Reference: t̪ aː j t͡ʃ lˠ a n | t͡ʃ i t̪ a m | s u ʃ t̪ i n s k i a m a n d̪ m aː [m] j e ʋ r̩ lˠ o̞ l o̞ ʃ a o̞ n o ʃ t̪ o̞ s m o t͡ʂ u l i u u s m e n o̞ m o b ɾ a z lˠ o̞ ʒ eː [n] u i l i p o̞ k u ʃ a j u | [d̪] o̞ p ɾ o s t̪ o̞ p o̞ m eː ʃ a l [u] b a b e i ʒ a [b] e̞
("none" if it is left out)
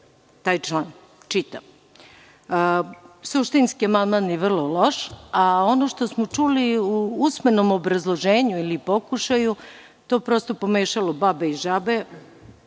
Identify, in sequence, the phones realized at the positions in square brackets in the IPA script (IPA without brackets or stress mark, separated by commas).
n, ɲ, t̪, o, b